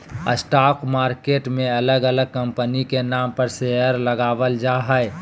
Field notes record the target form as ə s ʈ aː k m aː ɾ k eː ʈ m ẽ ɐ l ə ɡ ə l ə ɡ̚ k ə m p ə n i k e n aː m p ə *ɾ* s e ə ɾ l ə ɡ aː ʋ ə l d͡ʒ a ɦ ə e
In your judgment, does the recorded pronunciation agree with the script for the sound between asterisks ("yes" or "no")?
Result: yes